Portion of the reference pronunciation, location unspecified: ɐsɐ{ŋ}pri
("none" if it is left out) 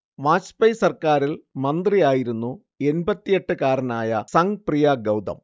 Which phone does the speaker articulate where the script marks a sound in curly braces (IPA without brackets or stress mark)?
ŋ